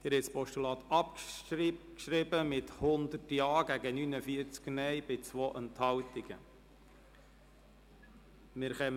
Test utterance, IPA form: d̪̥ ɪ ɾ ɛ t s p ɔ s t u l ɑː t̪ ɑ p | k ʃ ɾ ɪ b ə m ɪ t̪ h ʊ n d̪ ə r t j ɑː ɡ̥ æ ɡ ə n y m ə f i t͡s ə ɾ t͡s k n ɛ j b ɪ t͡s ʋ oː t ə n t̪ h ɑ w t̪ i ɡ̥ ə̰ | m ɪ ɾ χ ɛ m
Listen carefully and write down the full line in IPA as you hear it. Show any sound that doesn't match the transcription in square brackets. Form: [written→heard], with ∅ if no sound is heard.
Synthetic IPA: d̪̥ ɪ ɾ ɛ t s p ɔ [s→ʃ] t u l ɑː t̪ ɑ p | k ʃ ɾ ɪ b ə m ɪ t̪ h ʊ n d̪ ə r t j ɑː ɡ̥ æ ɡ ə n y [m→n] ə f i [t͡s→∅] ə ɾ t͡s k n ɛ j b ɪ t͡s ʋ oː [t→ʔ] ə n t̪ h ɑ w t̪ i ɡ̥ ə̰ | m ɪ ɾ χ ɛ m